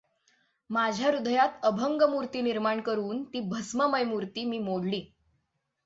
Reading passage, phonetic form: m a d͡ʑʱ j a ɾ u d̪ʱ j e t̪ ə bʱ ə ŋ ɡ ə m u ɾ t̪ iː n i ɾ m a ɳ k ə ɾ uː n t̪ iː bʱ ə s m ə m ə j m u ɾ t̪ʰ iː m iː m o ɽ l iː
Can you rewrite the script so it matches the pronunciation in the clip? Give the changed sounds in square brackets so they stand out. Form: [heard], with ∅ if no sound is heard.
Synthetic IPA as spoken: m a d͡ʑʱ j a ɾ u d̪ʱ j [a] t̪ ə bʱ ə ŋ ɡ ə m u ɾ t̪ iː n i ɾ m a ɳ k ə ɾ uː n t̪ iː bʱ ə s m ə m ə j m u ɾ [t̪] iː m iː m o ɽ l iː